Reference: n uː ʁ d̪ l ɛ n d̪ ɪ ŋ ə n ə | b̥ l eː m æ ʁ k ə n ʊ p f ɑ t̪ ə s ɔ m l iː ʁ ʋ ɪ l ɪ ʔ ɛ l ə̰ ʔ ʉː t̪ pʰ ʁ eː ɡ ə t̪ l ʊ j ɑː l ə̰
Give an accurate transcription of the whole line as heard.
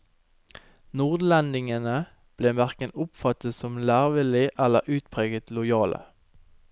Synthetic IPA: n uː ʁ d̪ l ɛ n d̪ ɪ ŋ ə n ə | b̥ l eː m æ ʁ k ə n ʊ p f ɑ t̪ ə s ɔ m l æː ʁ ʋ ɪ l ɪ ʔ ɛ l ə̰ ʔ ʉː t̪ pʰ ʁ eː ɡ ə t̪ l ʊ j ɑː l ə̰